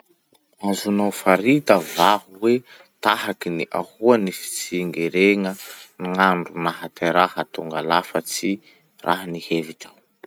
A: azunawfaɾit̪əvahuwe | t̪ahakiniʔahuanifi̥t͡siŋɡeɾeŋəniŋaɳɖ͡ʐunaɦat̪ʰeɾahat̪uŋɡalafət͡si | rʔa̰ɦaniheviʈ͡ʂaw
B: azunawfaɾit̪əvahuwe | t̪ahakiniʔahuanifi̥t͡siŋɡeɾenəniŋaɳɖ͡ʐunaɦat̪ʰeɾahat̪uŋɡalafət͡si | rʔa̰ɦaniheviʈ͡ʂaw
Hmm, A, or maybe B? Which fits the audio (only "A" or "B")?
A